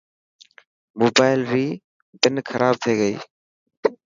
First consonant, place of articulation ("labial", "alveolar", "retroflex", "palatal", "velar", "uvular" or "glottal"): labial